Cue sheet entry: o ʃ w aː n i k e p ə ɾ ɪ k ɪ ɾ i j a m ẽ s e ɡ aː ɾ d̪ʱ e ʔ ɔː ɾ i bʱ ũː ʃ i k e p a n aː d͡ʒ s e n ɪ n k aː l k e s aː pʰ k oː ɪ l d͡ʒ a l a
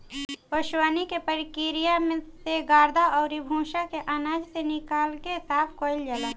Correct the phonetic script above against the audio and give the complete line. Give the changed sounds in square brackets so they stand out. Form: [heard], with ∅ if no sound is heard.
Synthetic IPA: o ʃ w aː n i k e p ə ɾ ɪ k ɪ ɾ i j a m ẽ s e ɡ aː ɾ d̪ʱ [a] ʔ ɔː ɾ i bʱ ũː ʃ [a] k e [ʔ] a n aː d͡ʒ s e n ɪ [∅] k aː l k e s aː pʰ k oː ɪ l d͡ʒ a l a